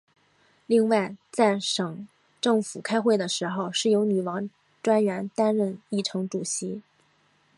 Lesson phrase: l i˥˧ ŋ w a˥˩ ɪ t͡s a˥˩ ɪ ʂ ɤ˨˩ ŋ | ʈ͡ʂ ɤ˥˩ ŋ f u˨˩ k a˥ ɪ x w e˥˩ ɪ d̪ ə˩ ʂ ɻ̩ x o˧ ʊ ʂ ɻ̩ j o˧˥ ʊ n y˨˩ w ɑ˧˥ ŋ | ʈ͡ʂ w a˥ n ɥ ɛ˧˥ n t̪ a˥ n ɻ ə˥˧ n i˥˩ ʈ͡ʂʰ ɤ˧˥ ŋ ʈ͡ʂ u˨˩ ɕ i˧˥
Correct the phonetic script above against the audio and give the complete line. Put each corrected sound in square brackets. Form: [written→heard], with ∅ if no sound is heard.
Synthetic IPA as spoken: l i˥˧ ŋ w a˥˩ ɪ t͡s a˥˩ ɪ ʂ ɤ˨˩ ŋ | ʈ͡ʂ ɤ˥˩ ŋ f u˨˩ [k→kʰ] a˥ ɪ x w e˥˩ ɪ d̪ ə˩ ʂ ɻ̩ x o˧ ʊ ʂ ɻ̩ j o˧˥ ʊ n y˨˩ w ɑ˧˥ ŋ | ʈ͡ʂ w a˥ n ɥ ɛ˧˥ n t̪ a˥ n ɻ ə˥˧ n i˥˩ ʈ͡ʂʰ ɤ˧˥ ŋ ʈ͡ʂ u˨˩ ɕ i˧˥